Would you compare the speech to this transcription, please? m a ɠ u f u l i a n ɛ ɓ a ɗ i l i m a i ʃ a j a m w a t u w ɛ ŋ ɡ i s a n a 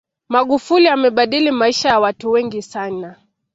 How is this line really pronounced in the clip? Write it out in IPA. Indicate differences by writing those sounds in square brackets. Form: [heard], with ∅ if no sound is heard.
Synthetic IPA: m a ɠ u f u l i a [m] ɛ ɓ a ɗ i l i m a i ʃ a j a [∅] w a t u w ɛ ŋ ɡ i s a n a